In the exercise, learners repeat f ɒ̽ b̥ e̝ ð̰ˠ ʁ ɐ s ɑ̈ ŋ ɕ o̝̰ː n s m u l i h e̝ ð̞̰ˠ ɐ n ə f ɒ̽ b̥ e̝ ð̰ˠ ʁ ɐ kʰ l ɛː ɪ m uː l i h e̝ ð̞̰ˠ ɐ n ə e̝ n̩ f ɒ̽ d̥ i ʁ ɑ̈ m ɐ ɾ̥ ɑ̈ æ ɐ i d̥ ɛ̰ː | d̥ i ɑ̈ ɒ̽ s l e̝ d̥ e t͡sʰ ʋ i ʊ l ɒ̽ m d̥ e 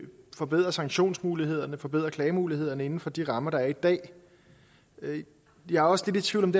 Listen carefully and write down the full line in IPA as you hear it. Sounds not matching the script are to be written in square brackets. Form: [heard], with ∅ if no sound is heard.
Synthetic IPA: f ɒ̽ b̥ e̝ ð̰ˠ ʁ ɐ s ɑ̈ ŋ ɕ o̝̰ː n s m [uː] l i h e̝ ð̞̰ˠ ɐ n ə f ɒ̽ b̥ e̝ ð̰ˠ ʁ ɐ kʰ l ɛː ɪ m uː l i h e̝ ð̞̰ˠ ɐ n ə e̝ n̩ f ɒ̽ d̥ i ʁ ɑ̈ m ɐ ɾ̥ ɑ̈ æ ɐ i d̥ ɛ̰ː | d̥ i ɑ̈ ɒ̽ s l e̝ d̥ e t͡sʰ ʋ i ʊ l ɒ̽ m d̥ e